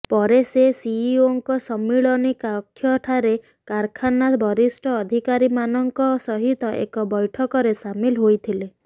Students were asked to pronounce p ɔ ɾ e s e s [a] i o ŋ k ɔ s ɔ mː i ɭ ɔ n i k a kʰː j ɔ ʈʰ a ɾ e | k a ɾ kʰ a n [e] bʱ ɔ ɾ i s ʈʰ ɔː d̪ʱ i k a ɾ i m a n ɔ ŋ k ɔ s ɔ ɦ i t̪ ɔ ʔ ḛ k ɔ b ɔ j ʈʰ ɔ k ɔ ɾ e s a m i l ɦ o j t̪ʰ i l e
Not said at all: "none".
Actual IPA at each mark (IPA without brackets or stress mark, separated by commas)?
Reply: i, a